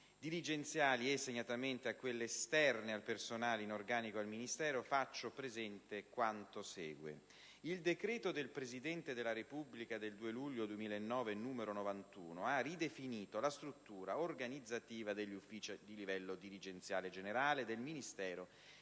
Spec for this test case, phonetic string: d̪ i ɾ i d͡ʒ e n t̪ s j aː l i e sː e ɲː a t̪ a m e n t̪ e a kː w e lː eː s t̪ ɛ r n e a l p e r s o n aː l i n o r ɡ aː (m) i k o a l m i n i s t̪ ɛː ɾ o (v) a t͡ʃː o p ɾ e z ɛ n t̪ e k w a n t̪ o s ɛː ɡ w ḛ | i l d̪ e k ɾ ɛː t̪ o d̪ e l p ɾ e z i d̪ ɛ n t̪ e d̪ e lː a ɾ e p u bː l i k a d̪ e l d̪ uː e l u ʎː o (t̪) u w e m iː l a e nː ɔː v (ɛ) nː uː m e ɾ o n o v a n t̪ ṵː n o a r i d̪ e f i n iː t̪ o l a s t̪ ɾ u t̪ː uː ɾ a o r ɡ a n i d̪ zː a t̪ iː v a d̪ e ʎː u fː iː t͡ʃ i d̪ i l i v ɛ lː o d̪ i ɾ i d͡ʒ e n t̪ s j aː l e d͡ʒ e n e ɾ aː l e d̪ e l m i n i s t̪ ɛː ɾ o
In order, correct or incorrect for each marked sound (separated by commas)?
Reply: incorrect, incorrect, incorrect, incorrect